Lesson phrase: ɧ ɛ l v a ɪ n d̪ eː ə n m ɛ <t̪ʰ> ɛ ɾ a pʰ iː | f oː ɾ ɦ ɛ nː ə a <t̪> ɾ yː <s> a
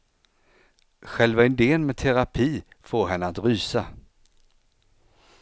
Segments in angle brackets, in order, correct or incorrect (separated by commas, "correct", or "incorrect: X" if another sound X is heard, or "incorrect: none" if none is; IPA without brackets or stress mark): correct, correct, correct